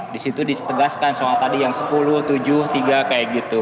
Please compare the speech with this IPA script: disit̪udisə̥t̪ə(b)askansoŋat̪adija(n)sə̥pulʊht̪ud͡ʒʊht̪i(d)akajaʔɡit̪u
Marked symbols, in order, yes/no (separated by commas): no, no, no